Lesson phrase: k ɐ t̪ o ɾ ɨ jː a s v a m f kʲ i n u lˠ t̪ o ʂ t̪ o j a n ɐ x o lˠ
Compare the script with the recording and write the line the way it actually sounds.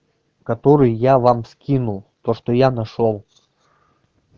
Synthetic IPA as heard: k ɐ t̪ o ɾ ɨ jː a v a m s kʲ i n u lˠ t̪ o ʂ t̪ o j a n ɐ ʂ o lˠ

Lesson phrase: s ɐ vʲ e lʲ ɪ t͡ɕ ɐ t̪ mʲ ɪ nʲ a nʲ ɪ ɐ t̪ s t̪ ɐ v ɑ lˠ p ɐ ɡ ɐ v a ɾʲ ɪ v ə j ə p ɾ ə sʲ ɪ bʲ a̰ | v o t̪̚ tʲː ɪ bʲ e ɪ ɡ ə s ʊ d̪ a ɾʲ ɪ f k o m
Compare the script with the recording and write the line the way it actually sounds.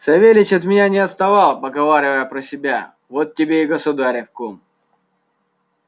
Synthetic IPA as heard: s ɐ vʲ e lʲ ɪ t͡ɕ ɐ t̪ mʲ ɪ nʲ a nʲ ɪ ɐ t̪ s t̪ ɐ v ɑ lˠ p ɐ ɡ ɐ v a ɾʲ ɪ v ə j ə p ɾ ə sʲ ɪ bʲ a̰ | v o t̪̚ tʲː ɪ bʲ e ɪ ɡ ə s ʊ d̪ a ɾʲ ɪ f k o m

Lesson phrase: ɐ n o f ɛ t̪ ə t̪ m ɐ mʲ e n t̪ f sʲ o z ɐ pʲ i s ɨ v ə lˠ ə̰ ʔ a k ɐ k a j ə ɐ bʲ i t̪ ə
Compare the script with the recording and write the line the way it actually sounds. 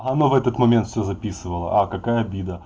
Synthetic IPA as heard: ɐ n o v ɛ t̪ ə t̪ m ɐ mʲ e n t̪ f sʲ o z ɐ pʲ i s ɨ v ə lˠ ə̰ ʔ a k ɐ k a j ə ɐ bʲ i d̪ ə

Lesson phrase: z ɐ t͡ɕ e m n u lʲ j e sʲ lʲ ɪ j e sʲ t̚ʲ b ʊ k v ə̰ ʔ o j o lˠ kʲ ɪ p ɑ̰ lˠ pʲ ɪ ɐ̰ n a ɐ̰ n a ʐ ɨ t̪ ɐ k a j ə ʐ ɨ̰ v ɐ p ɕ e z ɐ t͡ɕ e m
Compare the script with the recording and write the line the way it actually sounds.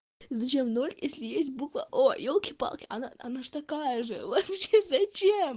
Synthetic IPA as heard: z ɐ t͡ɕ e m n o lʲ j e sʲ lʲ ɪ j e sʲ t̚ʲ b u k v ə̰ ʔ o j o lˠ kʲ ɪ p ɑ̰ lˠ kʲ ɪ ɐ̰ n a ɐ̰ n a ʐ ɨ t̪ ɐ k a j ə ʐ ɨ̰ v ɐ p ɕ e z ɐ t͡ɕ e m

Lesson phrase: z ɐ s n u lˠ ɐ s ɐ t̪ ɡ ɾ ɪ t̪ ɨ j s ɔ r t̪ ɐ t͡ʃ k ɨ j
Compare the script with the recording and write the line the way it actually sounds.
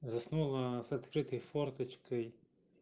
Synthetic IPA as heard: z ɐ s n u lˠ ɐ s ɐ t̪ k ɾ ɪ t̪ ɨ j f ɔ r t̪ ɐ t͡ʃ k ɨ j

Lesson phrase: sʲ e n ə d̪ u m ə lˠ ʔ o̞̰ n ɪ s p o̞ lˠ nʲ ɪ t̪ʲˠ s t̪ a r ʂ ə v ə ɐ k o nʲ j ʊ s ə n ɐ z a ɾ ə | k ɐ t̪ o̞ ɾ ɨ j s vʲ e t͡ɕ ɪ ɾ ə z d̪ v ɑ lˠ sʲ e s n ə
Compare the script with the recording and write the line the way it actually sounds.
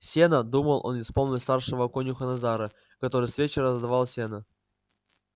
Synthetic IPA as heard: sʲ e n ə d̪ u m ə lˠ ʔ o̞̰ n ɪ s p o̞ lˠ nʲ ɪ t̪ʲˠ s t̪ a r ʂ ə v ə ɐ k o nʲ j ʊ x ə n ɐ z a ɾ ə | k ɐ t̪ o̞ ɾ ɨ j s vʲ e t͡ɕ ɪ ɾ ə z d̪ v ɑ lˠ sʲ e n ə

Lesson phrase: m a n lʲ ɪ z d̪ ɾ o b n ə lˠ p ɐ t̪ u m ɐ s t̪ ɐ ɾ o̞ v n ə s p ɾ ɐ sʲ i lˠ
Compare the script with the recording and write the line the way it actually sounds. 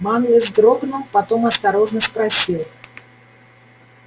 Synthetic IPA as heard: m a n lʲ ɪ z d̪ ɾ o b n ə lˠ p ɐ t̪ o m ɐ s t̪ ɐ ɾ o̞ ʐ n ə s p ɾ ɐ sʲ i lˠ

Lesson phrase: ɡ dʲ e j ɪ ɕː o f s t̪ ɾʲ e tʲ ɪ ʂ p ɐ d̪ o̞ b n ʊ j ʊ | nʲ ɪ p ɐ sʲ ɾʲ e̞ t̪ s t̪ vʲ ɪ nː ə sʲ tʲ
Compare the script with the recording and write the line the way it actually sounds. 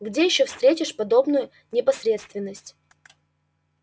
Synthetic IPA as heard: ɡ dʲ e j ɪ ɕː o f s t̪ ɾʲ e tʲ ɪ ʂ p ɐ d̪ o̞ b n ʊ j ʊ | nʲ ɪ p ɐ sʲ ɾʲ e̞ t̪ s t̪ vʲ ɪ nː ə sʲ tʲ

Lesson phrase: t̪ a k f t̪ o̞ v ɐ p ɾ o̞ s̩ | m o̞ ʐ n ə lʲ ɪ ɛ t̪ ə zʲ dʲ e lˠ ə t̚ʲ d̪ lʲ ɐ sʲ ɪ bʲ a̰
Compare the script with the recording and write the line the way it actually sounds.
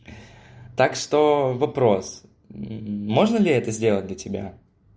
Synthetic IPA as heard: t̪ a k ʂ t̪ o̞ v ɐ p ɾ o̞ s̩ | m o̞ ʐ n ə lʲ ɪ ɛ t̪ ə zʲ dʲ e lˠ ə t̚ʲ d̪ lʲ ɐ tʲ ɪ bʲ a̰

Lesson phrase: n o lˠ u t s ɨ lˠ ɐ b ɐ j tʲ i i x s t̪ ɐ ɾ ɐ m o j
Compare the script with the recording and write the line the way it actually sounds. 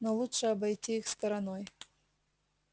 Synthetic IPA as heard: n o lˠ u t ʂ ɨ ɐ b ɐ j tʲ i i x s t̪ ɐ ɾ ɐ n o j

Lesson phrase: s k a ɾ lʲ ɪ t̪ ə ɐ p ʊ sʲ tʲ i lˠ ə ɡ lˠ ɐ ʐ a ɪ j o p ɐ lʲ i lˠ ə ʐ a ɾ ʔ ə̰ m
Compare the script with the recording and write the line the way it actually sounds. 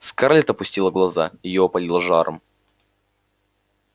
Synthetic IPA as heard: s k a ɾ lʲ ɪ t̪ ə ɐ p ʊ sʲ tʲ i lˠ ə ɡ lˠ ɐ z a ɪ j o p ɐ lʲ i lˠ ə ʐ a ɾ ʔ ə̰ m

